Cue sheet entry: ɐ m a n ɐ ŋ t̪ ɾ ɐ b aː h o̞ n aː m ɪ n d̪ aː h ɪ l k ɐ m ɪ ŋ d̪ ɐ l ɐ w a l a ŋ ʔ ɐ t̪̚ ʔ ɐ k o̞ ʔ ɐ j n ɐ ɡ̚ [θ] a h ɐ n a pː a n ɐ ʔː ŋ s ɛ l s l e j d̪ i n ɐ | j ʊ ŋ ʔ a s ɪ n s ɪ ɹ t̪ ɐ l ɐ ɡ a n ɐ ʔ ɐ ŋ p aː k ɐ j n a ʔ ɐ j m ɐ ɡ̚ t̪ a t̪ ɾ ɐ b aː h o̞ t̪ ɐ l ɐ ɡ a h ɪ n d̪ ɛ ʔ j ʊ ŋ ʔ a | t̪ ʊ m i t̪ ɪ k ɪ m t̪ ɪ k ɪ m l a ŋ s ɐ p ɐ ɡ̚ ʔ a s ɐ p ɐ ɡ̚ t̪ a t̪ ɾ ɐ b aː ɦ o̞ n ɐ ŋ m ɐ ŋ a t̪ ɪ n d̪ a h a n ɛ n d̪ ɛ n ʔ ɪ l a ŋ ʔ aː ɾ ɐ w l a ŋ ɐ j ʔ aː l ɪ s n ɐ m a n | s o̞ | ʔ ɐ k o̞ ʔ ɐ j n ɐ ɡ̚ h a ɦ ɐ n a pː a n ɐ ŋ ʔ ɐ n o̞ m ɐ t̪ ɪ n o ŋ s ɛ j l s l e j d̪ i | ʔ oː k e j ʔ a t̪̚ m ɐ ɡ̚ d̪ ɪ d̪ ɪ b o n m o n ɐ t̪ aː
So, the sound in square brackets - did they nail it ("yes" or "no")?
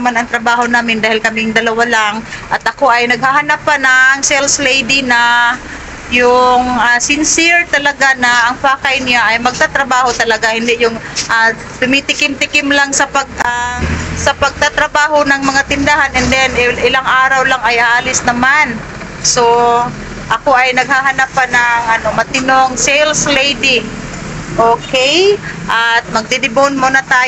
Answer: no